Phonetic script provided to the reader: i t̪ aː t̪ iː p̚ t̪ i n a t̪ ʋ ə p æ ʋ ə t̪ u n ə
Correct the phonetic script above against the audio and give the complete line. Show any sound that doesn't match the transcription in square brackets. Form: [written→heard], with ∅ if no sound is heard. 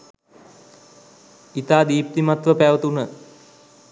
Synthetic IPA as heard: i t̪ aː [t̪→d̪] iː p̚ t̪ i [n→m] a t̪ ʋ ə p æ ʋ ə t̪ u n ə